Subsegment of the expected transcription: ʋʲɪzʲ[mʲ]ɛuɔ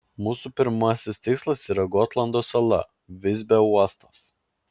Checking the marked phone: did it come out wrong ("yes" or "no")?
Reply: yes